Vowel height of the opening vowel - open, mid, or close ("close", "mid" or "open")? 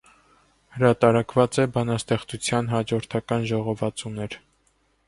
mid